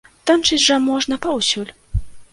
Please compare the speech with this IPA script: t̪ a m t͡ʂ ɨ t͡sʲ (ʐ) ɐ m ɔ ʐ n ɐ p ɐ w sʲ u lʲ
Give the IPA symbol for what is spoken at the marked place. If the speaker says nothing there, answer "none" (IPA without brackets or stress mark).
ʐ